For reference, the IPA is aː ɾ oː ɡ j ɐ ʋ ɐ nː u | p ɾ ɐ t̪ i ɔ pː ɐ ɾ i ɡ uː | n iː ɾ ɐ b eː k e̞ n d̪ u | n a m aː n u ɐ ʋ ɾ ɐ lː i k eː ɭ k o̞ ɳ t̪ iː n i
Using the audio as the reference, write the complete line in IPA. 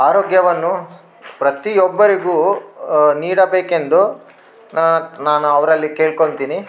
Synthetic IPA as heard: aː ɾ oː ɡ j ɐ ʋ ɐ nː u | p ɾ ɐ t̪ i ɔ bː ɐ ɾ i ɡ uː | n iː ɽ ɐ b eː k e̞ n d̪ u | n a n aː n u ɐ ʋ ɾ ɐ lː i k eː ɭ k o̞ ɳ t̪ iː n i

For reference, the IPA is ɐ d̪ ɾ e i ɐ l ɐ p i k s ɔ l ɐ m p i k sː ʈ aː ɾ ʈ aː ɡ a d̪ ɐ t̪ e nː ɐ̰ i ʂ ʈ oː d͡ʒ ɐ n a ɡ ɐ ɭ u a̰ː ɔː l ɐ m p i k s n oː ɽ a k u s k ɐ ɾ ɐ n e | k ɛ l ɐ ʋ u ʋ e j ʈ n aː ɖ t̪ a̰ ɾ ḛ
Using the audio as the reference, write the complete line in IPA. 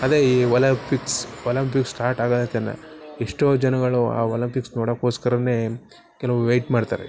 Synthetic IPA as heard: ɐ d̪ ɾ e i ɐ l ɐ p i k s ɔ l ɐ m p i k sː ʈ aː ɾ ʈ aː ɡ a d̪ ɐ t̪ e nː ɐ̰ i ʂ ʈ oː d͡ʒ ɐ n ɐ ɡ ɐ ɭ u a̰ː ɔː l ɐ m p i k s n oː ɽ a k o s k ɐ ɾ ɐ n e | k ɛ l ɐ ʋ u ʋ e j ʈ m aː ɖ t̪ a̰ ɾ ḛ

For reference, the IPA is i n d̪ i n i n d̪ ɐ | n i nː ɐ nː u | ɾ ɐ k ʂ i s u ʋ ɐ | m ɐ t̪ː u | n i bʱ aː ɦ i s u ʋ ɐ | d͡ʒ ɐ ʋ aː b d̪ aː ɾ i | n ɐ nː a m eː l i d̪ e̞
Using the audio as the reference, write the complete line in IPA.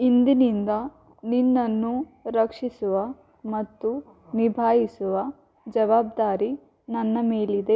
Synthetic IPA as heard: i n d̪ i n i n d̪ ɐ | n i nː ɐ nː u | ɾ ɐ k ʂ i s u ʋ ɐ | m ɐ t̪ː u | n i bʱ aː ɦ i s u ʋ ɐ | d͡ʒ ɐ ʋ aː b d̪ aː ɾ i | n ɐ nː ɐ m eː l i d̪ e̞

